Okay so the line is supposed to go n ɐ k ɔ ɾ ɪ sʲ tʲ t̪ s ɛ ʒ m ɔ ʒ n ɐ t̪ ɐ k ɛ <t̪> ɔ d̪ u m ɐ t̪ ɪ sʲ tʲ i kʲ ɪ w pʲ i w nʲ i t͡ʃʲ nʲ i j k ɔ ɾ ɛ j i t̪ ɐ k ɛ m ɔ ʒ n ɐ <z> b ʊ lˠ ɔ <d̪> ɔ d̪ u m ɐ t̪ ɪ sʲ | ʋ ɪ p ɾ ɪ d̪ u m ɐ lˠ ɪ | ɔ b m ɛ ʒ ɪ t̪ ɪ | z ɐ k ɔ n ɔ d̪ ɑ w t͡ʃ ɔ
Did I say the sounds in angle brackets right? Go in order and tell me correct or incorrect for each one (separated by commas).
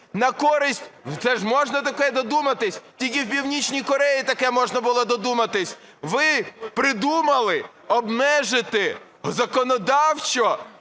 incorrect, incorrect, correct